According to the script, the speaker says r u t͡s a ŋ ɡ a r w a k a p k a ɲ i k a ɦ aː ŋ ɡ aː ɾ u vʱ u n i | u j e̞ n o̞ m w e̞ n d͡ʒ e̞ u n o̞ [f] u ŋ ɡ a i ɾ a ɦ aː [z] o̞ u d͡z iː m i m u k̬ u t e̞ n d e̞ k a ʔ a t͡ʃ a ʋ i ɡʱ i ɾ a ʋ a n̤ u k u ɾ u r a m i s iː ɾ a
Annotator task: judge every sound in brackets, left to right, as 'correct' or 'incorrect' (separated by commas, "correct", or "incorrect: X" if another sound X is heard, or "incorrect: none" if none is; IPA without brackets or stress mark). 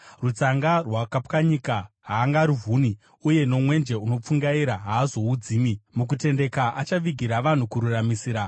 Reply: incorrect: p͡f, correct